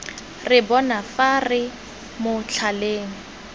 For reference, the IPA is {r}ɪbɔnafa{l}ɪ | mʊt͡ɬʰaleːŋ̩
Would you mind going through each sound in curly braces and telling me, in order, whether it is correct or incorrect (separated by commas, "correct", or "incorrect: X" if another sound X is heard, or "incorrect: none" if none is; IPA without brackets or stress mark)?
correct, incorrect: r